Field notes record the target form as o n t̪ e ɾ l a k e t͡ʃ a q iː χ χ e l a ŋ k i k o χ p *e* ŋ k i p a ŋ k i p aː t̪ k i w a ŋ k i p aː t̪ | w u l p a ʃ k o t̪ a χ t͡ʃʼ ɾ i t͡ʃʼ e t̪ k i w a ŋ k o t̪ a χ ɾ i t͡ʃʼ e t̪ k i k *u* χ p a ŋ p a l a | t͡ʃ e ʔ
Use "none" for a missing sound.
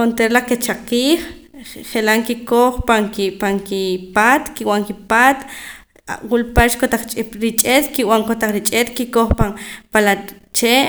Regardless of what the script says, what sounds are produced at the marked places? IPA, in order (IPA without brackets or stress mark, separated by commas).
a, o